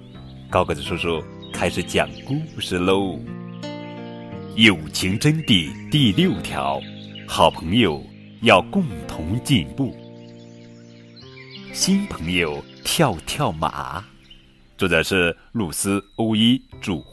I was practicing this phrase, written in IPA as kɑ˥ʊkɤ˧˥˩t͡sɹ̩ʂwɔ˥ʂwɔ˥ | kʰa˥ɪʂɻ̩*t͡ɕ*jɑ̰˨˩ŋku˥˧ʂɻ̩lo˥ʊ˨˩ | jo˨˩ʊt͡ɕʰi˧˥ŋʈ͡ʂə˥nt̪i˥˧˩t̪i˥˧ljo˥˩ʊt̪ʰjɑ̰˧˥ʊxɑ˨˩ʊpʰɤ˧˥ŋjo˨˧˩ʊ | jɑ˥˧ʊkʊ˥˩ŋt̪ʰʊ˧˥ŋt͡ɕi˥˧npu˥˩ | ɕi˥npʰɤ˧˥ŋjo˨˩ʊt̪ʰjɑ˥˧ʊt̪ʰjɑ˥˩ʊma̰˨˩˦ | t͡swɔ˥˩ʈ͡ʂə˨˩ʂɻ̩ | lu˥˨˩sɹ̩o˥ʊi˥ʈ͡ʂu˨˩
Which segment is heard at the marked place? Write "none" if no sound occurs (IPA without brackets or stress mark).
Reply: t͡ɕ